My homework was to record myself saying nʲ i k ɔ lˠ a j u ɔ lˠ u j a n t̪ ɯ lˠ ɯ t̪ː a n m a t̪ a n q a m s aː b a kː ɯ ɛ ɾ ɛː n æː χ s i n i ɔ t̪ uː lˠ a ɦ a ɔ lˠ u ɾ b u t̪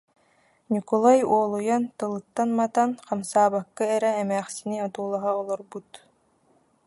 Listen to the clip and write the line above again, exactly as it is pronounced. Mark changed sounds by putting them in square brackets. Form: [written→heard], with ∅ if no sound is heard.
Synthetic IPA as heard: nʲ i k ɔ lˠ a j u ɔ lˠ u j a n t̪ ɯ lˠ ɯ t̪ː a n m a t̪ a n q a m s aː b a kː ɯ ɛ ɾ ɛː [n→m] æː χ s i n i ɔ t̪ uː lˠ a ɦ a ɔ lˠ [u→ɔ] ɾ b u t̪